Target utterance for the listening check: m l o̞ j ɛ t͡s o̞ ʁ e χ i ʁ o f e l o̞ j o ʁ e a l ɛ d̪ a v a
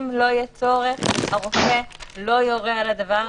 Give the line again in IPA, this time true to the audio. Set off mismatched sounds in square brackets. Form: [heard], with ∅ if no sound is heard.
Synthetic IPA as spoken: m l o̞ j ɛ t͡s o̞ ʁ e χ [a] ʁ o f e l o̞ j o ʁ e a l [a] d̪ a v a